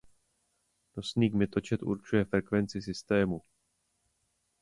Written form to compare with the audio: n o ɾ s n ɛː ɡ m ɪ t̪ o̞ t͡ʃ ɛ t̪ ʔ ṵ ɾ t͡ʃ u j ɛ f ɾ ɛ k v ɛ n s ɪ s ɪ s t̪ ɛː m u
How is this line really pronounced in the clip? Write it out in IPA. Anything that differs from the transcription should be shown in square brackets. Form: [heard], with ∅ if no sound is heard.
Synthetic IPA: n o [∅] s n [iː] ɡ m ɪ t̪ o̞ t͡ʃ ɛ t̪ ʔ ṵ ɾ t͡ʃ u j ɛ f ɾ ɛ k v ɛ n [t͡s] ɪ s ɪ s t̪ ɛː m u